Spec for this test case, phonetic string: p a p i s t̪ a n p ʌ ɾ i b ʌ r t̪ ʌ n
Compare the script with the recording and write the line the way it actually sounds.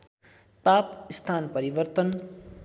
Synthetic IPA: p a p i s t̪ʰ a n p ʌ ɾ i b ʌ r t̪ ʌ n